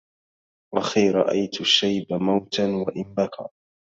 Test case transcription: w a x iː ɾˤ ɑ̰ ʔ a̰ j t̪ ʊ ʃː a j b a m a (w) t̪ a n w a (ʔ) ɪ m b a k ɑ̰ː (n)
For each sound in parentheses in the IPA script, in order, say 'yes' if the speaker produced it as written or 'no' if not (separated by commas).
yes, yes, no